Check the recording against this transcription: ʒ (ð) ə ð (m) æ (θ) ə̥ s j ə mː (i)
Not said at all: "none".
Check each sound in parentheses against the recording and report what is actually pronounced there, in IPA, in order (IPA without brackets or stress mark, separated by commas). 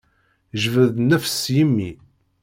v, n, f, i